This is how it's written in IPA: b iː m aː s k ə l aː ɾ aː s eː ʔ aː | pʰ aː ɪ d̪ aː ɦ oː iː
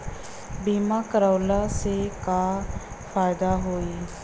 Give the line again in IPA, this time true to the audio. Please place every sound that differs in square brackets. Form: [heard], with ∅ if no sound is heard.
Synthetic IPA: b iː m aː [∅] k ə [ɾ] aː [l] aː s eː [k] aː | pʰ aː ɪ d̪ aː ɦ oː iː

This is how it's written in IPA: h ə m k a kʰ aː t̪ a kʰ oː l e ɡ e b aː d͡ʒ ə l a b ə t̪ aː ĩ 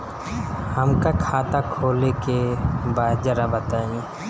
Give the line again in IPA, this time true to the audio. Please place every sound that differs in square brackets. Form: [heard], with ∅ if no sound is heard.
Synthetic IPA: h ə m k a kʰ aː t̪ a kʰ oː l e [k] e b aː d͡ʒ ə [ɾ] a b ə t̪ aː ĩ

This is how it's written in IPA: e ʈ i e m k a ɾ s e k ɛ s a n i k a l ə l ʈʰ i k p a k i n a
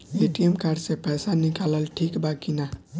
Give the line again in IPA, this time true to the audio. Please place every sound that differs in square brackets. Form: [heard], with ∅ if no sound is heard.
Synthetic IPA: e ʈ i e m k a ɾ s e [p] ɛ s a n i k a l ə l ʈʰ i k [b] a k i n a

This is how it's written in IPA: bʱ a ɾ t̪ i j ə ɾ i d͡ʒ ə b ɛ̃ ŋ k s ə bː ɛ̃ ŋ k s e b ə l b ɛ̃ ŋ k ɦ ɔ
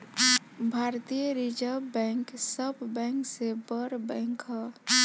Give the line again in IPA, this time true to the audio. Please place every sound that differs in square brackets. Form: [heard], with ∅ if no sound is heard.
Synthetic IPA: bʱ a ɾ t̪ i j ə ɾ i d͡ʒ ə b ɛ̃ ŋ k s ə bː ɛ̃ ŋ k s e b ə [ɾ] b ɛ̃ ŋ k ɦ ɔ

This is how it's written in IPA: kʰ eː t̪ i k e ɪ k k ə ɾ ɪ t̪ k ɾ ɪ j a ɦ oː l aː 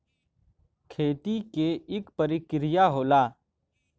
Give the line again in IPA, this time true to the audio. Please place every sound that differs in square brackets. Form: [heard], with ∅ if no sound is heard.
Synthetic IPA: kʰ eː t̪ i k e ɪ k [p] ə ɾ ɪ [∅] k ɾ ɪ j a ɦ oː l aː

